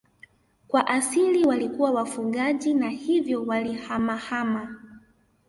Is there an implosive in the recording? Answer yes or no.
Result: yes